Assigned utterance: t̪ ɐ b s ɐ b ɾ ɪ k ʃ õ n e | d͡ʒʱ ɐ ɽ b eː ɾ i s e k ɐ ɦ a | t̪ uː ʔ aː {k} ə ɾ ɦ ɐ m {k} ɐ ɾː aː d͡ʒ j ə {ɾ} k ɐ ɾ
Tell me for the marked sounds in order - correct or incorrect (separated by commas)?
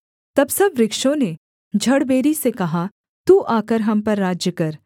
correct, incorrect, incorrect